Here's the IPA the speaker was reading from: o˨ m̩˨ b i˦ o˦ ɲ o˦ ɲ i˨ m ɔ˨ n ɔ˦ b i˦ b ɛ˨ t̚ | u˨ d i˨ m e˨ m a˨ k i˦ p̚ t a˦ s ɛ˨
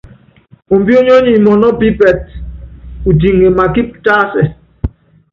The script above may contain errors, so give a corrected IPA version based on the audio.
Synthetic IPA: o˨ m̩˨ b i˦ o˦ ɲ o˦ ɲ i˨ m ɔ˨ n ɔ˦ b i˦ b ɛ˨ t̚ | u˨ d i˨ ŋ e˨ m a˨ k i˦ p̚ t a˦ s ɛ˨